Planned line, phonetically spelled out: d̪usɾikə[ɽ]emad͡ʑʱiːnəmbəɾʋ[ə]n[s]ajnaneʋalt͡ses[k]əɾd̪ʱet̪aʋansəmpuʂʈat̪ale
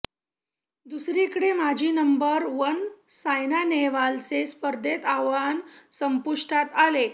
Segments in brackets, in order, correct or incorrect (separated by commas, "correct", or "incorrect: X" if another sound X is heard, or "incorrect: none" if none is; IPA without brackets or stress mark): correct, correct, correct, incorrect: p